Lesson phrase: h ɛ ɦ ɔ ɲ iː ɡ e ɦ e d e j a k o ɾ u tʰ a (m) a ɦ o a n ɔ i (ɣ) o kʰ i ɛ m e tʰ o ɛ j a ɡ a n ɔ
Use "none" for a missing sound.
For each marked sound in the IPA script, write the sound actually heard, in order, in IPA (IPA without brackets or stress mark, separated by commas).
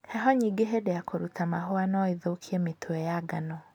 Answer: m, ð